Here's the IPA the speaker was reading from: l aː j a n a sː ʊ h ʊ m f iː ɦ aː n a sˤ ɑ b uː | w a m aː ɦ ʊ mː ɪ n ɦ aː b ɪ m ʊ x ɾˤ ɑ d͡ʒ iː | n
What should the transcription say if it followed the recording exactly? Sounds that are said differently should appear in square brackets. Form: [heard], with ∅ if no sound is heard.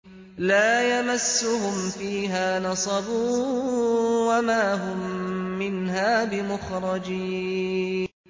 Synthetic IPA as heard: l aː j a [m] a sː ʊ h ʊ m f iː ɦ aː n [ɑ] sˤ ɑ b uː | w a m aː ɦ ʊ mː ɪ n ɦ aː b ɪ m ʊ x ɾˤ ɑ d͡ʒ iː | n